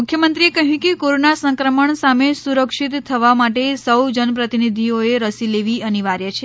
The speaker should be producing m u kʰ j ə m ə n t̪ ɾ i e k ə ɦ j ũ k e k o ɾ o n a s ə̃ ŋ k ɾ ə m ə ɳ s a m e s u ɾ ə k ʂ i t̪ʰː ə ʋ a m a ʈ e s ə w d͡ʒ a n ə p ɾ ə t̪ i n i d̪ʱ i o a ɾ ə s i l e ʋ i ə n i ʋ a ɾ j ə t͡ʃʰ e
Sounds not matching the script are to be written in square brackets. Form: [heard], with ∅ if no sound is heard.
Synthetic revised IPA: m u kʰ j ə m ə n t̪ ɾ i e k ə ɦ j ũ k e k o ɾ o n a s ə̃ ŋ k ɾ ə m ə ɳ s a m e s u ɾ ə k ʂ i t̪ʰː ə ʋ a m a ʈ e s ə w d͡ʒ [ə] n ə p ɾ ə t̪ i n i d̪ʱ i o [e] ɾ ə s i l e ʋ i ə n i ʋ a ɾ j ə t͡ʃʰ e